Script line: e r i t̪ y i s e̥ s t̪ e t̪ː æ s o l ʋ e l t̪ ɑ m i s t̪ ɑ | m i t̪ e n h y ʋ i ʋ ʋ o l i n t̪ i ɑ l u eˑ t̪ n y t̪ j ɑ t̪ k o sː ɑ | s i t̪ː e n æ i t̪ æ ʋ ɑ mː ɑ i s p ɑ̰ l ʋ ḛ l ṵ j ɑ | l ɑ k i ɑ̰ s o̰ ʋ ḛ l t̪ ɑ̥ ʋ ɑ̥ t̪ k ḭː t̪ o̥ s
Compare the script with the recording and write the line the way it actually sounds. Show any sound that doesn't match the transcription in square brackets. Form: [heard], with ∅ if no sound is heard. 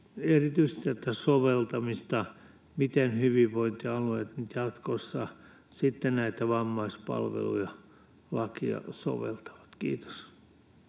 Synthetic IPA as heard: e r i t̪ y i s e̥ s t̪ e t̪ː æ s o [∅] ʋ e l t̪ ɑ m i s t̪ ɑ | m i t̪ e n h y ʋ i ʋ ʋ o [∅] i n t̪ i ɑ l u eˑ t̪ n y t̪ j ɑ t̪ k o sː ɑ | s i t̪ː e n æ i t̪ æ ʋ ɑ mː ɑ i s p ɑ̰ l ʋ ḛ l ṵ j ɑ | l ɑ k i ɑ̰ s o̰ ʋ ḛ l t̪ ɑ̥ ʋ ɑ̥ t̪ k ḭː t̪ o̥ s